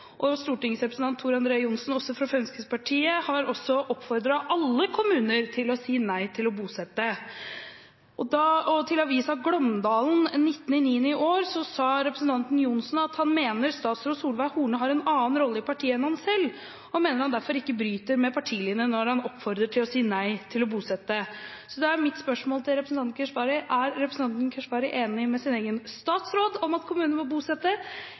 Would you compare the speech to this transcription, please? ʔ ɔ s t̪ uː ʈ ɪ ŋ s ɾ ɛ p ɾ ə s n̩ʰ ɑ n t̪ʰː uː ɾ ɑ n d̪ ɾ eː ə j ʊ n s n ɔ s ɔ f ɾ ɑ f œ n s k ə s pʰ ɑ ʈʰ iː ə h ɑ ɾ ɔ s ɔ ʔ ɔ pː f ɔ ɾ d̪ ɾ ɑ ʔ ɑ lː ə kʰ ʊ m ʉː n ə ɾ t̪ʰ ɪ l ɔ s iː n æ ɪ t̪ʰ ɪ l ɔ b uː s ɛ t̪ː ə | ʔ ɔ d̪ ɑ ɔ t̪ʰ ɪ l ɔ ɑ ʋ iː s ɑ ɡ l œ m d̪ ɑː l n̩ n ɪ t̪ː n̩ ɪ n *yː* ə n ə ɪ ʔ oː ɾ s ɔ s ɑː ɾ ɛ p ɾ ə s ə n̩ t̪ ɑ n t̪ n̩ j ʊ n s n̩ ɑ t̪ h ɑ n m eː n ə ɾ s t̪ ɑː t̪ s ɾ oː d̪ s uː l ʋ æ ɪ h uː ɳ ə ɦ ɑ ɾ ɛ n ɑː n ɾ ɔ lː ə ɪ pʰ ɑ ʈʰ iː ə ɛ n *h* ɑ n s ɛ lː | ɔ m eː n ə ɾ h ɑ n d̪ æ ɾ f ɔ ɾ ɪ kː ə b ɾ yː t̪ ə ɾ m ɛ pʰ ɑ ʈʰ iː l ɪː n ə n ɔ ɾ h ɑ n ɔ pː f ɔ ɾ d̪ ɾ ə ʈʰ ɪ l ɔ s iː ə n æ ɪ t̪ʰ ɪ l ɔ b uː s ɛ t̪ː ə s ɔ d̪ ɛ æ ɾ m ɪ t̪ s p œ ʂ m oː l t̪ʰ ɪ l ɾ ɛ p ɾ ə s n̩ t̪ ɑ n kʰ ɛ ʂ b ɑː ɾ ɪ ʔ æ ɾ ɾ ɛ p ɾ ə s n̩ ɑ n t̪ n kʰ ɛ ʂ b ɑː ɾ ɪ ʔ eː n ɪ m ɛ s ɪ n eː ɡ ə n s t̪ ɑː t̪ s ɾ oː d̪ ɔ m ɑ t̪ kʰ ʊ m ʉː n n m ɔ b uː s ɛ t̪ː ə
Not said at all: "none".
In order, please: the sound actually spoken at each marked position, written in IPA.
iː, h

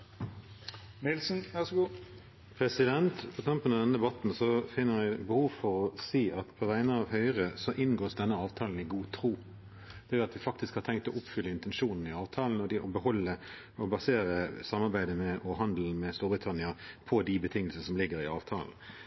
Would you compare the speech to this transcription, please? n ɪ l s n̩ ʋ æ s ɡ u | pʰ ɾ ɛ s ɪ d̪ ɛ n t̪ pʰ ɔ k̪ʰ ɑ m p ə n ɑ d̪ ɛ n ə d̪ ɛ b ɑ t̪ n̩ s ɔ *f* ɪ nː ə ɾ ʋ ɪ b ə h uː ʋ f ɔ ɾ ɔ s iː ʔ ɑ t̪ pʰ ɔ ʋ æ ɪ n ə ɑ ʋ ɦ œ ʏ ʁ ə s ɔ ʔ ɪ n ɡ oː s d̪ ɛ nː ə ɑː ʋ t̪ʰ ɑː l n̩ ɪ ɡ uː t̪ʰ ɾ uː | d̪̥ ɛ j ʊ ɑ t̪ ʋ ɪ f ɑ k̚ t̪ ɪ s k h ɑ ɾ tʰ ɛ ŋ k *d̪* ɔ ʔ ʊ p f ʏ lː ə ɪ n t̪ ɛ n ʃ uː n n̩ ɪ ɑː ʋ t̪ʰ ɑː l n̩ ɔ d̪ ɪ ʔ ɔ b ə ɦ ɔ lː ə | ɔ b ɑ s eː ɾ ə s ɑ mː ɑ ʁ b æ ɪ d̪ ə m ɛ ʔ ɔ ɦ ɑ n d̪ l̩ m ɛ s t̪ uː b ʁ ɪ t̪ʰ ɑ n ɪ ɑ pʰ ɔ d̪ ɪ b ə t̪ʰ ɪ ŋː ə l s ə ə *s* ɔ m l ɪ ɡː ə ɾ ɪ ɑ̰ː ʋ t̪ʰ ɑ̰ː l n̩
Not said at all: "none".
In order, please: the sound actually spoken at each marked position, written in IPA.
f, t̪, s

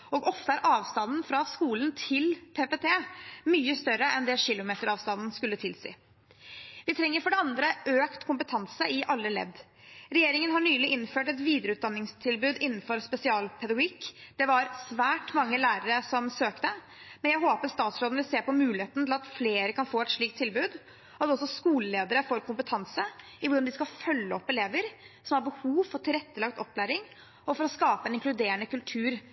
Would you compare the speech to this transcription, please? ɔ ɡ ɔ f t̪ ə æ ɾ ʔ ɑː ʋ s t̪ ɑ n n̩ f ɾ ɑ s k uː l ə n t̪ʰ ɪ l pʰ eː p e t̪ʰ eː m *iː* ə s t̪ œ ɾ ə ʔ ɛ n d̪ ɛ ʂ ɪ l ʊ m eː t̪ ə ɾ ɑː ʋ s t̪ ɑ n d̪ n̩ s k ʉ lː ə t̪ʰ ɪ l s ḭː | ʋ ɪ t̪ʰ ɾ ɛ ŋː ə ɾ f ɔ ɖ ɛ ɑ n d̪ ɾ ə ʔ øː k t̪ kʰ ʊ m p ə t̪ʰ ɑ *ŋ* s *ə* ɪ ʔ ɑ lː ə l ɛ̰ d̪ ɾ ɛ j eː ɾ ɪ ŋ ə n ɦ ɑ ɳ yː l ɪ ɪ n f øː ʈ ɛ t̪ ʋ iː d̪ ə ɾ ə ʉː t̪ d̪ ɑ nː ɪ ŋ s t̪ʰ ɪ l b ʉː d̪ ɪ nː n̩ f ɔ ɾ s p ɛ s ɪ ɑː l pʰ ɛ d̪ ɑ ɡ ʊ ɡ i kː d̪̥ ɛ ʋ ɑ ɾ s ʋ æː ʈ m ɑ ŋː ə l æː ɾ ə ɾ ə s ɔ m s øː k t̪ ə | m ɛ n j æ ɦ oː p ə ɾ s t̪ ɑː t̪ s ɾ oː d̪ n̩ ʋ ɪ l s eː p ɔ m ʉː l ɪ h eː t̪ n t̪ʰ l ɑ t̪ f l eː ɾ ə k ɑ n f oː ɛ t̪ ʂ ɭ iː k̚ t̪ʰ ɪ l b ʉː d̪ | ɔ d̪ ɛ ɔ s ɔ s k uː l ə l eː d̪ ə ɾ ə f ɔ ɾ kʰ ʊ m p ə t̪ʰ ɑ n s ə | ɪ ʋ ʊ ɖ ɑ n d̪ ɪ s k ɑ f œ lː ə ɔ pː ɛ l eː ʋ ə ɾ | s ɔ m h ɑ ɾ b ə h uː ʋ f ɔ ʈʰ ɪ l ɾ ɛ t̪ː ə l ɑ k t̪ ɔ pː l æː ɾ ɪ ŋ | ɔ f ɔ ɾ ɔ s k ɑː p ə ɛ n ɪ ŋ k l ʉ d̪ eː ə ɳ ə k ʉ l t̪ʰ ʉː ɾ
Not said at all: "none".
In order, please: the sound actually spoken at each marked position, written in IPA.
yː, n, ə

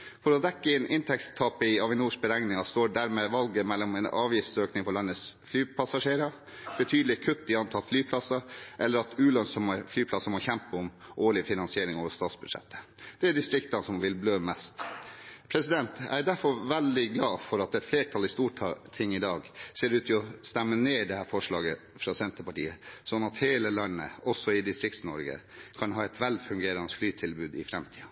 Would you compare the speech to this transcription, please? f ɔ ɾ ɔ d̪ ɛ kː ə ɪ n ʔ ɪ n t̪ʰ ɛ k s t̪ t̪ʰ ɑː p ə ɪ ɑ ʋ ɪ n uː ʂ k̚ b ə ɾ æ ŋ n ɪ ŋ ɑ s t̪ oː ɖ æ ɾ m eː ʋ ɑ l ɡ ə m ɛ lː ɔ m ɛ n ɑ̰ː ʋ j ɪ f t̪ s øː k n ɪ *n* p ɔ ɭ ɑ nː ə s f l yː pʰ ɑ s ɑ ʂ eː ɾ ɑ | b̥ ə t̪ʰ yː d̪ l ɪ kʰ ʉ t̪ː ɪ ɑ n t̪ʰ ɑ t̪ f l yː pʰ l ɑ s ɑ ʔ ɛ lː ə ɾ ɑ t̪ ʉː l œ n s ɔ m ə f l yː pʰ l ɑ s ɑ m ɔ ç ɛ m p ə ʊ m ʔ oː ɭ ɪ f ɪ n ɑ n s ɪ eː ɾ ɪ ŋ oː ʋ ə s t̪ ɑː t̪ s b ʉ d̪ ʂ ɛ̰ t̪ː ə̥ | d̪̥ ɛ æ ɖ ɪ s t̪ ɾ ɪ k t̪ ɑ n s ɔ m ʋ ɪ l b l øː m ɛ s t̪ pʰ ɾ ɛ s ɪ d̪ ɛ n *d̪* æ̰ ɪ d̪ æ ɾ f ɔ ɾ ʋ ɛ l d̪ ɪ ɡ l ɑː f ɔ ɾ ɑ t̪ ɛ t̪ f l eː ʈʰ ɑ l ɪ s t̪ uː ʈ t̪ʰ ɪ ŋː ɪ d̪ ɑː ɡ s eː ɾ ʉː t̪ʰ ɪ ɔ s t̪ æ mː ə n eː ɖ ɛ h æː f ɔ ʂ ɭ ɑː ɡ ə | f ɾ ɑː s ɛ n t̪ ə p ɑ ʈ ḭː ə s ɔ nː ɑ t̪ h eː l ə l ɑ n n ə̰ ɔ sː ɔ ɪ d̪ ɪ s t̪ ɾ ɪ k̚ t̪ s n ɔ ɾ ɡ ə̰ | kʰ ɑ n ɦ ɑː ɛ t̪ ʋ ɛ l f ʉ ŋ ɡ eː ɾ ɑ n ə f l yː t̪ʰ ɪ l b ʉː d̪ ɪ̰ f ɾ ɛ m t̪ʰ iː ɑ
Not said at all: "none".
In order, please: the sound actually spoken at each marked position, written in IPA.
ŋ, t̪

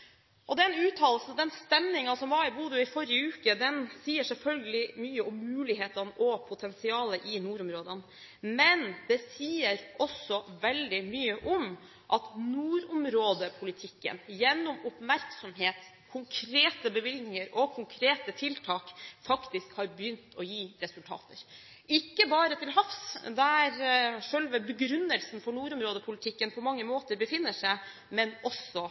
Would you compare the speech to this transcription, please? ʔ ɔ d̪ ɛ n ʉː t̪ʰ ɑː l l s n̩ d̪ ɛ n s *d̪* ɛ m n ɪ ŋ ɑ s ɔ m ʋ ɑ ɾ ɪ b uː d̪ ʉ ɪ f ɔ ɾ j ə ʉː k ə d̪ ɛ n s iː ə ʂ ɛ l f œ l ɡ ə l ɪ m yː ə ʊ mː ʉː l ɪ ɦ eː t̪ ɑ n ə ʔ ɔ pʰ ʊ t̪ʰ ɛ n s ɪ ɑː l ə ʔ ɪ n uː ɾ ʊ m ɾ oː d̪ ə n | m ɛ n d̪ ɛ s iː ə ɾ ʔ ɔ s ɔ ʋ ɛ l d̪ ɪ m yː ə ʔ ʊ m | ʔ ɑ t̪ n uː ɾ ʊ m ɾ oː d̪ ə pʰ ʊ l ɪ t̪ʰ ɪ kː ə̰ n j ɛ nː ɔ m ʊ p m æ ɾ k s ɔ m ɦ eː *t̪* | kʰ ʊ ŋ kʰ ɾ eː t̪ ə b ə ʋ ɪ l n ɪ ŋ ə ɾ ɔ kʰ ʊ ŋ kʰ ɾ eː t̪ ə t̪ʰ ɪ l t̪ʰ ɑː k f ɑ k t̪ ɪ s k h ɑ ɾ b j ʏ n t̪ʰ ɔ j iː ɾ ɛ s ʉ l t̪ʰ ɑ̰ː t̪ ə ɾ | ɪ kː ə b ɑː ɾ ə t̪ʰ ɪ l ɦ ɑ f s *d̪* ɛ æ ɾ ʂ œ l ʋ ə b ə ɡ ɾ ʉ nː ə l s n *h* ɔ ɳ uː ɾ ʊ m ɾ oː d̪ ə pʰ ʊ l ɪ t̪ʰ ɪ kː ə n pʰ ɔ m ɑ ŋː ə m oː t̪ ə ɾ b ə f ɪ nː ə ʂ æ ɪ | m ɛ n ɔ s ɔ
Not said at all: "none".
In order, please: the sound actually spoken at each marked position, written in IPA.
t̪, t̪, d̪, f

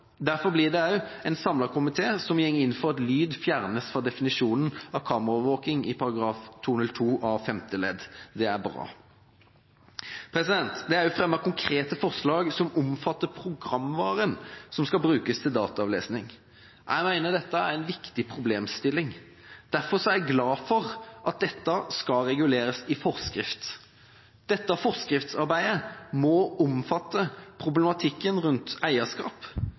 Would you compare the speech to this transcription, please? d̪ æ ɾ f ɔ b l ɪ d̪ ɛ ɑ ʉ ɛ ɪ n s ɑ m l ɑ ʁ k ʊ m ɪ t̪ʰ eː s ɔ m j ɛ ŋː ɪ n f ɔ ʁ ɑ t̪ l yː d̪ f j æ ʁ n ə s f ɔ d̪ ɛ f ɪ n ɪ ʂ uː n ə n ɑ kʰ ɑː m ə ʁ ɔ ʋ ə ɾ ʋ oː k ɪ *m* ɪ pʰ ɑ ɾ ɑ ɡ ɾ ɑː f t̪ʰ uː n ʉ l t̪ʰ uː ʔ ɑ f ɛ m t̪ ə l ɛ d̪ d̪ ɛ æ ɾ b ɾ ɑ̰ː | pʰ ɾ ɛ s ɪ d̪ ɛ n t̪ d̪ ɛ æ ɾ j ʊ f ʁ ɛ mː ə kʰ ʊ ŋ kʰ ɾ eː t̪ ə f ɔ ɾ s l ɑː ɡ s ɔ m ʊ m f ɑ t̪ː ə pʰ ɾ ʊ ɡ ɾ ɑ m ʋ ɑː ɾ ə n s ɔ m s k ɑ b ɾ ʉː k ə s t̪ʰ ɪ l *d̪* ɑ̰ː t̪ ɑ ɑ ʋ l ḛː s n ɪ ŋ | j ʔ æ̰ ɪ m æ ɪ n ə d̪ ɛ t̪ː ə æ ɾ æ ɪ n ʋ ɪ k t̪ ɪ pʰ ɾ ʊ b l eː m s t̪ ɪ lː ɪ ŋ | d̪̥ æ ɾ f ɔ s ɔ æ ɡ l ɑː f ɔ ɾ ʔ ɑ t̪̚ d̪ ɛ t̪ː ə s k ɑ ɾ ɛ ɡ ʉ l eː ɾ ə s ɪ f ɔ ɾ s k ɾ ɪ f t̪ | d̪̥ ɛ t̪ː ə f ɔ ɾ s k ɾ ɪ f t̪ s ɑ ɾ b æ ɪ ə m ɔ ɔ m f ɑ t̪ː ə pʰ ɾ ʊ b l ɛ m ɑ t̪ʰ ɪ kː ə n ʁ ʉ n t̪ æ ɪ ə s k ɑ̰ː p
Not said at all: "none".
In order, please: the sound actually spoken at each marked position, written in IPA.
ŋ, d̪

